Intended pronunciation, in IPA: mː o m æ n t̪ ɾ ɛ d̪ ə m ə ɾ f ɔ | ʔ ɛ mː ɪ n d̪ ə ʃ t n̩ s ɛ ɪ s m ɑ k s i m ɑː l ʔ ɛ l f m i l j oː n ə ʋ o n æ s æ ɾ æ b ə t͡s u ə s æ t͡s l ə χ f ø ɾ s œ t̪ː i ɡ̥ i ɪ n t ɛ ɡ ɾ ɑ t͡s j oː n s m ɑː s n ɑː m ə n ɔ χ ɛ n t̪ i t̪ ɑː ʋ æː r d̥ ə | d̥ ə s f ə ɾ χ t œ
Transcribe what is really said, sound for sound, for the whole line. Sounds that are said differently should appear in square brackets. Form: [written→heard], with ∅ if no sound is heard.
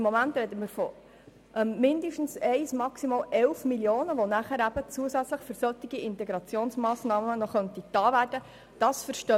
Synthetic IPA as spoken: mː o m æ n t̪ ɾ ɛ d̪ ə m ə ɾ f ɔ | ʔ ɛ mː ɪ n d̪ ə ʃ t n̩ s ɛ ɪ s m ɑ k s i m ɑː l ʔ ɛ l f m i l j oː n ə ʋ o n æ [s→χ] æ ɾ æ b ə t͡s u ə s æ t͡s l ə χ f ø ɾ s œ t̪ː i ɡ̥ i ɪ n t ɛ ɡ ɾ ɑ t͡s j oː n s m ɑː s n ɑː m ə n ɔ χ [ɛ→œ] n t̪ i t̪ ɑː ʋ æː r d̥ ə | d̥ [ə→ɑ] s f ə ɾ [χ→ʃ] t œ

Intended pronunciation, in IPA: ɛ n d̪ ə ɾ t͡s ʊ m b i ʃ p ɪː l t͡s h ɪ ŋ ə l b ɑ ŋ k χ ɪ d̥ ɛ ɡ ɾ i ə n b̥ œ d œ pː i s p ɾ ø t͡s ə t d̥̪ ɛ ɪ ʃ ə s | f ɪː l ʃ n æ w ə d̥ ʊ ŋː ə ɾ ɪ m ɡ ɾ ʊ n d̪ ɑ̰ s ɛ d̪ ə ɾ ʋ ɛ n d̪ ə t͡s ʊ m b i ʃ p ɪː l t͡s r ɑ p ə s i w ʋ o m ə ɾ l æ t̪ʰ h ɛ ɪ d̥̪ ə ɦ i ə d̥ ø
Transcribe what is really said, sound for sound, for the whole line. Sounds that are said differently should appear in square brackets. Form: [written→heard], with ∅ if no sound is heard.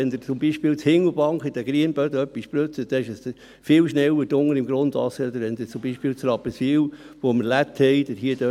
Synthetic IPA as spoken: ɛ n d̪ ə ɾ t͡s ʊ m b i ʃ p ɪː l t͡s h ɪ ŋ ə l b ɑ ŋ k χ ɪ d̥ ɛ ɡ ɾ i ə n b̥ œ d œ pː i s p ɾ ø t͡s ə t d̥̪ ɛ ɪ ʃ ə s | f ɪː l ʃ n [æ→ɛ] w ə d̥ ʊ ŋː ə ɾ ɪ m ɡ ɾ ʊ n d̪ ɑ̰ s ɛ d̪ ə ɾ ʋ ɛ n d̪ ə t͡s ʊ m b i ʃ p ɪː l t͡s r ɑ p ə s i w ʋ o m ə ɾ l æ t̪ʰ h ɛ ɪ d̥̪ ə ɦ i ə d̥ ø

